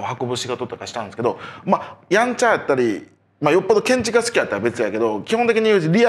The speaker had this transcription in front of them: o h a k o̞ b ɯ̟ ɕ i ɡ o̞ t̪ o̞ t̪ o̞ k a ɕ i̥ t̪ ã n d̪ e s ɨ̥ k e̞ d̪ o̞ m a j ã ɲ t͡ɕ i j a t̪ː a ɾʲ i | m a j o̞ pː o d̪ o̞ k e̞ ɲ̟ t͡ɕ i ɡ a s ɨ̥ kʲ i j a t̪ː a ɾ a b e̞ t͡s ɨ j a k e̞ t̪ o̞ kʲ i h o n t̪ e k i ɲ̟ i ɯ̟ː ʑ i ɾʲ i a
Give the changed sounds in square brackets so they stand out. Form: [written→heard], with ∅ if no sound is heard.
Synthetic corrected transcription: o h a k o̞ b ɯ̟ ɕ i ɡ o̞ t̪ o̞ t̪ o̞ k a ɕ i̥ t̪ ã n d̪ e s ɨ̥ k e̞ d̪ o̞ m a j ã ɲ t͡ɕ [i→a] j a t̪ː a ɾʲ i | m a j o̞ pː o d̪ o̞ k [e̞→ẽ̞] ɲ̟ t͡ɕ i ɡ a s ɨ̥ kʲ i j a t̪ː a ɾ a b e̞ t͡s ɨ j a k e̞ [t̪→d̪] o̞ kʲ i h o n t̪ e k i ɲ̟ i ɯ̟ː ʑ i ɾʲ i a